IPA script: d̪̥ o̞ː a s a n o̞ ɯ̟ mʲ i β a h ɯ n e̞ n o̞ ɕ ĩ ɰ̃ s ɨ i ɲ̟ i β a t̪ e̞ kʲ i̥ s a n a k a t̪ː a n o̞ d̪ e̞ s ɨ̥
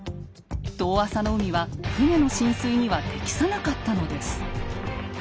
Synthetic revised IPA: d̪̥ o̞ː a s a n o̞ ɯ̟ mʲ i β a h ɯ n e̞ n o̞ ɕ ĩ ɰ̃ s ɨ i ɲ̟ i β a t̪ e̞ kʲ i̥ s a n a k a t̪ː a n o̞ d̪ e̞ s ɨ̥